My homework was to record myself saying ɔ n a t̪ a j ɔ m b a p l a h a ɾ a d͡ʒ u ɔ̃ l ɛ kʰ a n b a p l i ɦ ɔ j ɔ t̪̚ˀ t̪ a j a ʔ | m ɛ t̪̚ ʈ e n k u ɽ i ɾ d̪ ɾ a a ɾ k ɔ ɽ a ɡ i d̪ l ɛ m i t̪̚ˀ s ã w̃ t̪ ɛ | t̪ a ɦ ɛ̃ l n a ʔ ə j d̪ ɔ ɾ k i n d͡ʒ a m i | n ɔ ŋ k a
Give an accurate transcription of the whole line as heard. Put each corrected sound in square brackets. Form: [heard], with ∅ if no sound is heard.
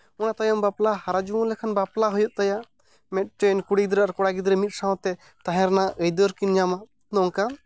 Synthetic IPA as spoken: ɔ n a t̪ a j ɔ m b a p l a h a ɾ a d͡ʒ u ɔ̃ l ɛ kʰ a n b a p l [a] ɦ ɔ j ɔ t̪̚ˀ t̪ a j a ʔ | m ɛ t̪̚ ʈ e n k u ɽ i [∅] d̪ ɾ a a ɾ k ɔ ɽ a ɡ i d̪ [ɾ] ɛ m i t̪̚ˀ s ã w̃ t̪ ɛ | t̪ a ɦ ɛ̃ [ɾ] n a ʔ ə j d̪ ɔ ɾ k i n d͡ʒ a m [a] | n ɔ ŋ k a

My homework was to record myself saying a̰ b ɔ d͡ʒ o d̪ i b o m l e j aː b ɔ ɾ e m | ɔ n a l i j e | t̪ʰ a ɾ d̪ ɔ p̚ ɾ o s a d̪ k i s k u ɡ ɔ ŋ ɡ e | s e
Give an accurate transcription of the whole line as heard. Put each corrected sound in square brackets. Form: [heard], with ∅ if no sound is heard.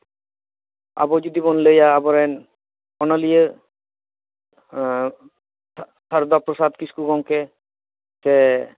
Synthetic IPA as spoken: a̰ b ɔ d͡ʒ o d̪ i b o [n] l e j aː b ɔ ɾ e [n] | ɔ n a l i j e | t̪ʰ a ɾ d̪ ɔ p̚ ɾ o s a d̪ k i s k u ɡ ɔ ŋ [k] e | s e

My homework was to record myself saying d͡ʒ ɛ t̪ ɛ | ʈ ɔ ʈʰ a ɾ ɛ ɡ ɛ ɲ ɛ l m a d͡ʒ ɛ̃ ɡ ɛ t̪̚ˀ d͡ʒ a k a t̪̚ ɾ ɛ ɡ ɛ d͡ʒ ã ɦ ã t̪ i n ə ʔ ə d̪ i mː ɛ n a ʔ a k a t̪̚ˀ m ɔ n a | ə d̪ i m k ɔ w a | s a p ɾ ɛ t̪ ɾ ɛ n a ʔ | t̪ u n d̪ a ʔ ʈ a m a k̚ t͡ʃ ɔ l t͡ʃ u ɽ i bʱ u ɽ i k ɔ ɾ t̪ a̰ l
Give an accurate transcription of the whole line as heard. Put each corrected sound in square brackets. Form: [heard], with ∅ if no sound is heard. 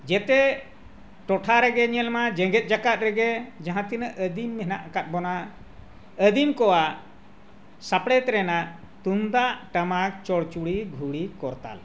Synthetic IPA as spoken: d͡ʒ ɛ t̪ ɛ | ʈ ɔ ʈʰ a ɾ ɛ ɡ ɛ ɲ ɛ l m a d͡ʒ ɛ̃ ɡ ɛ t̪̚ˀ d͡ʒ a k a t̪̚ ɾ ɛ ɡ ɛ d͡ʒ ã ɦ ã t̪ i n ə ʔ ə d̪ i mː ɛ n a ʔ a k a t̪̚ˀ [b] ɔ n a | ə d̪ i m k ɔ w a | s a p [ɽ] ɛ t̪ ɾ ɛ n a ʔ | t̪ u n d̪ a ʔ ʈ a m a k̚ t͡ʃ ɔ [ɽ] t͡ʃ u ɽ i [ɡʱ] u ɽ i k ɔ ɾ t̪ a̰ l

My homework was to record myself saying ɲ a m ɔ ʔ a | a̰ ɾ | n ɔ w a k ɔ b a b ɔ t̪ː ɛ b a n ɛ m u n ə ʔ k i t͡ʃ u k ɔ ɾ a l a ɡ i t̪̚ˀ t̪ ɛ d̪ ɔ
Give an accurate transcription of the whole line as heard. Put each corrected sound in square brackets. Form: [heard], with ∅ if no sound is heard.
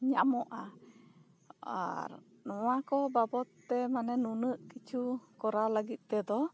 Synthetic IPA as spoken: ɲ a m ɔ ʔ a | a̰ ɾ | n ɔ w a k ɔ b a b ɔ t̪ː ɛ [m] a n ɛ [n] u n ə ʔ k i t͡ʃ u k ɔ ɾ a l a ɡ i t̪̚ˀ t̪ ɛ d̪ ɔ

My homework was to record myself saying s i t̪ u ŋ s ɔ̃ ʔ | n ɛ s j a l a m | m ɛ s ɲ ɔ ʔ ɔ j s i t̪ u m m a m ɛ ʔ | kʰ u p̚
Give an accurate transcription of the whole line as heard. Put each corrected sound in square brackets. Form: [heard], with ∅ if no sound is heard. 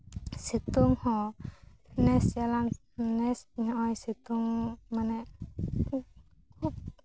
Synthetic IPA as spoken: s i t̪ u ŋ [h] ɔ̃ [∅] | n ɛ s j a l a [ŋ] | [n] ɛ s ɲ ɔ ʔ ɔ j s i t̪ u [ŋ] m a [n] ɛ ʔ | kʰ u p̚

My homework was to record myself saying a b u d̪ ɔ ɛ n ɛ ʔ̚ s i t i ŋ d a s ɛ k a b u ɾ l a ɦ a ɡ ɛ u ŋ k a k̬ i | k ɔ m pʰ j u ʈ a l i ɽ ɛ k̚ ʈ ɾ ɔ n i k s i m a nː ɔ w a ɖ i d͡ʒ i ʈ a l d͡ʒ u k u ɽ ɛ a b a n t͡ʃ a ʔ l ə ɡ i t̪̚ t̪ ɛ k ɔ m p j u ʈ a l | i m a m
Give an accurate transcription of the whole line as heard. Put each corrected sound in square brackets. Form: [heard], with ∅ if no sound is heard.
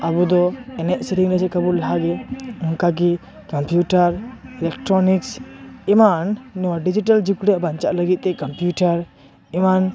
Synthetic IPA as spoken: a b u d̪ ɔ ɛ n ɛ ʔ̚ s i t i ŋ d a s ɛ k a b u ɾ l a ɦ a ɡ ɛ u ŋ k a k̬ i | k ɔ m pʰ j u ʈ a [ɾ] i [l] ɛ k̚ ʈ ɾ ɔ n i k s i m a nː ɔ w a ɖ i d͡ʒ i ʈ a l d͡ʒ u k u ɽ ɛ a b a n t͡ʃ a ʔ l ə ɡ i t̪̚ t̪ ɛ k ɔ m p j u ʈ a [ɾ] | i m a [n]

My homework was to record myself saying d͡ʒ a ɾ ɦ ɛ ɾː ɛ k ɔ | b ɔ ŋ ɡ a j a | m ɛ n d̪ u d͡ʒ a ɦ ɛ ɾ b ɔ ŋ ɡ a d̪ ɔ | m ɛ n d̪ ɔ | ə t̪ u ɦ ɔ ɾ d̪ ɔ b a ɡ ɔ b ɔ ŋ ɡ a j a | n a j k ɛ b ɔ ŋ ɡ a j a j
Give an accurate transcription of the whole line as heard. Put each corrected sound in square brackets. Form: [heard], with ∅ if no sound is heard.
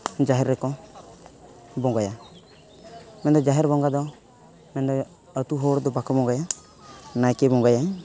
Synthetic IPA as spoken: d͡ʒ a [∅] ɦ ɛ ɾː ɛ k ɔ | b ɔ ŋ ɡ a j a | m ɛ n d̪ [ɔ] d͡ʒ a ɦ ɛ ɾ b ɔ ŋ ɡ a d̪ ɔ | m ɛ n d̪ ɔ | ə t̪ u ɦ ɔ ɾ d̪ ɔ b a [k] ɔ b ɔ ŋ ɡ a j a | n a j k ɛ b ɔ ŋ ɡ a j a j

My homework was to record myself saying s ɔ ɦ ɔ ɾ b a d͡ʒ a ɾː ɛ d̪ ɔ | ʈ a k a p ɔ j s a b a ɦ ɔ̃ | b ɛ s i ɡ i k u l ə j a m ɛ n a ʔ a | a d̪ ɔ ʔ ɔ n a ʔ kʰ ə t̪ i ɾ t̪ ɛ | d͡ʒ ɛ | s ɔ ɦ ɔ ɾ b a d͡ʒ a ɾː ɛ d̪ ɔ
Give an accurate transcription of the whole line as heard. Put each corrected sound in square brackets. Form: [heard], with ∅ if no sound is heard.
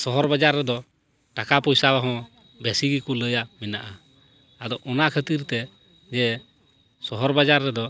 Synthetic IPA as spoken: s ɔ ɦ ɔ ɾ b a d͡ʒ a ɾː ɛ d̪ ɔ | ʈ a k a p ɔ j s a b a ɦ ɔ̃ | b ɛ s i ɡ i k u l ə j a m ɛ n a ʔ a | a d̪ ɔ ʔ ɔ n a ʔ kʰ ə t̪ i ɾ t̪ ɛ | d͡ʒ ɛ | s ɔ ɦ ɔ ɾ b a d͡ʒ a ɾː ɛ d̪ ɔ

